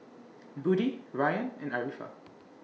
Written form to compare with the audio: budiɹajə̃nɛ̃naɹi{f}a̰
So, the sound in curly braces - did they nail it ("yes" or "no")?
yes